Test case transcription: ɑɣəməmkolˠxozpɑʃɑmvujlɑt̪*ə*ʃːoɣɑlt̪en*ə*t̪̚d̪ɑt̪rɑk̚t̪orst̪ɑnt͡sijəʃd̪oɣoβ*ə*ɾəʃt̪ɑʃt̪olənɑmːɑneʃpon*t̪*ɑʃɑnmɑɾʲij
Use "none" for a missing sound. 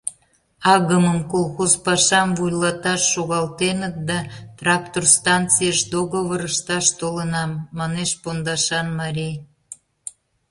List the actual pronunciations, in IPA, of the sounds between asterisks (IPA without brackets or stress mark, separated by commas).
ɑ, ə, ə, d̪